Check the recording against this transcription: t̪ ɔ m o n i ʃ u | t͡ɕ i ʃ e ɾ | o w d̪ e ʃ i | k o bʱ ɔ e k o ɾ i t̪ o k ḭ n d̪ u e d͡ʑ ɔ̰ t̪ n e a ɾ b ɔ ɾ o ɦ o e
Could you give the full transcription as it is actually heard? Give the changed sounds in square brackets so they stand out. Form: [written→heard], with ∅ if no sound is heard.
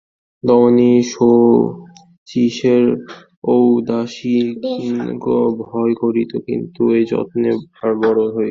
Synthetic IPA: [t̪→d̪] ɔ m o n i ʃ [u→o] | t͡ɕ i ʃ e ɾ | o w d̪ [e→a] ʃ i | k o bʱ ɔ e k o ɾ i t̪ o k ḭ n [d̪→t̪] u e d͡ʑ ɔ̰ t̪ n e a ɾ b ɔ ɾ o ɦ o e